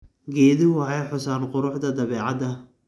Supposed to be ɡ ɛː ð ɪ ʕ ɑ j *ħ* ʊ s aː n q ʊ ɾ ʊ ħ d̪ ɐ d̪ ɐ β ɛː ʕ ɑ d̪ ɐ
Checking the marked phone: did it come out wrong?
no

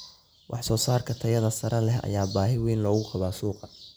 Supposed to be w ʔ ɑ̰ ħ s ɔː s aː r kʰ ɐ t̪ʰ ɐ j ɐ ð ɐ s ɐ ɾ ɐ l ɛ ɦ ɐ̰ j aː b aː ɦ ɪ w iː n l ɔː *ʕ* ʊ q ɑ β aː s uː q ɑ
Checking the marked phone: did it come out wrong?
yes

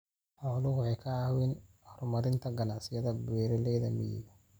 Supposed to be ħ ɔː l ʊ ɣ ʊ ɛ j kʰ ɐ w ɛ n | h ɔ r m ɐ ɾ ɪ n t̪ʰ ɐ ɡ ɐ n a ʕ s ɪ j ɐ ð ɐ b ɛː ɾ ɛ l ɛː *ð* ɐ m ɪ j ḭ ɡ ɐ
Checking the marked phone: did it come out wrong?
no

